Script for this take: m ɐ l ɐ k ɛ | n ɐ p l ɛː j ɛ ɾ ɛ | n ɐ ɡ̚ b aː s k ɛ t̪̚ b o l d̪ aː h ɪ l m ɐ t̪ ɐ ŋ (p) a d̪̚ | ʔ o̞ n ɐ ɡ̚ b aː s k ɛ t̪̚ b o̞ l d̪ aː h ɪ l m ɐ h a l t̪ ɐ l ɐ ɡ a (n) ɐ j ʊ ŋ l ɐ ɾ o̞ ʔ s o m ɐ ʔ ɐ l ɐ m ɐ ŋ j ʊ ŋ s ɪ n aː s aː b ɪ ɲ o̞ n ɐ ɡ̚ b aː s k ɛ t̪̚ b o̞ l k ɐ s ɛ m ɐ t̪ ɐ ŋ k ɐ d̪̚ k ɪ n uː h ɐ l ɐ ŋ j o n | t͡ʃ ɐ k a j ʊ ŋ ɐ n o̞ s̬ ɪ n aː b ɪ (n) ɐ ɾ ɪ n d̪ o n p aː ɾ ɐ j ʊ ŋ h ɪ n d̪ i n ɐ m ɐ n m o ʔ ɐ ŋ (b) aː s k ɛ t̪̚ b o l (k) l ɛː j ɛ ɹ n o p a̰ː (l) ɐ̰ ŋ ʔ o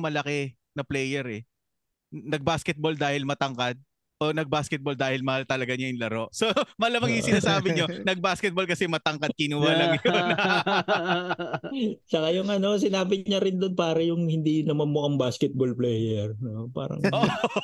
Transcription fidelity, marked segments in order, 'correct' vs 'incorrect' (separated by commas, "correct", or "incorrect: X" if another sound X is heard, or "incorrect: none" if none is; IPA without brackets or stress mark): incorrect: k, incorrect: ɲ, incorrect: ɲ, correct, incorrect: p, incorrect: ɾ